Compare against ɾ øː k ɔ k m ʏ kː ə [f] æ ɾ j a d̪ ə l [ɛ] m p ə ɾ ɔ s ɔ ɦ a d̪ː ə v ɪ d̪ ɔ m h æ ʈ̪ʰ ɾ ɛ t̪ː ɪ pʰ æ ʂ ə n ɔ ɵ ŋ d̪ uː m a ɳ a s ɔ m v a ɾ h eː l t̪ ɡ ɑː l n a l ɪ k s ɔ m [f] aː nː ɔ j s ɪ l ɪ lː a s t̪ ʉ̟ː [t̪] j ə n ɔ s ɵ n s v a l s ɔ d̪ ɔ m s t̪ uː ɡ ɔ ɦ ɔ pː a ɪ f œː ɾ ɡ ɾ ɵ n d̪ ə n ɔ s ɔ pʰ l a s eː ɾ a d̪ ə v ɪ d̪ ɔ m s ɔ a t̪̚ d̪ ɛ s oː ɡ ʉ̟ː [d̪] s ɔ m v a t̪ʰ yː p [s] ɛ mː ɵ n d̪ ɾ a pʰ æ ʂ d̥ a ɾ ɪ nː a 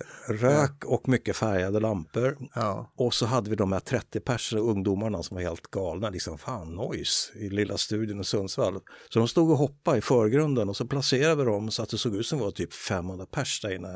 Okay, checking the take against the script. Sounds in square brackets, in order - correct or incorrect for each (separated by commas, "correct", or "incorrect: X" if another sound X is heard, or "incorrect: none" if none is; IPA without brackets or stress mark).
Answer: correct, incorrect: a, correct, incorrect: d̪, incorrect: t̪, incorrect: f